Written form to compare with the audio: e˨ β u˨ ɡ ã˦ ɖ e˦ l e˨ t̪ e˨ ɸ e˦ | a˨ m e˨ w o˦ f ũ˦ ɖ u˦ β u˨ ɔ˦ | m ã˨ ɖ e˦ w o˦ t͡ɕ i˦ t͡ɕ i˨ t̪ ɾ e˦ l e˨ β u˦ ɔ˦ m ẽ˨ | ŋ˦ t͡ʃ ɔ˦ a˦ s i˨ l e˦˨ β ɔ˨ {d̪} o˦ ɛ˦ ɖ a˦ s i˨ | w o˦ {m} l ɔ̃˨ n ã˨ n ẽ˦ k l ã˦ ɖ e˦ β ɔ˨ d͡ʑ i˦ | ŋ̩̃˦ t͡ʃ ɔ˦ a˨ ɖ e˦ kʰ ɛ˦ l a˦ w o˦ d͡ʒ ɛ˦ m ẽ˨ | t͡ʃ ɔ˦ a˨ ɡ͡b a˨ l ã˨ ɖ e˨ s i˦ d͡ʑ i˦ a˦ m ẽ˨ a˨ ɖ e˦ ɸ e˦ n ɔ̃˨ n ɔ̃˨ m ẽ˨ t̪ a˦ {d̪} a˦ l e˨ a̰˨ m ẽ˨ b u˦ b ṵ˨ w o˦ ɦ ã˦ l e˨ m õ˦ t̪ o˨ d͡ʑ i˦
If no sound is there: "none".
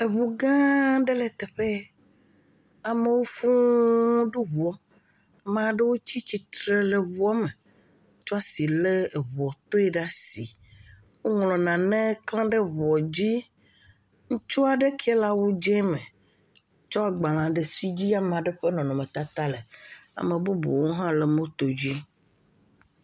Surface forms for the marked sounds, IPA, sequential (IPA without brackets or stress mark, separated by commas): t̪, ŋ, t̪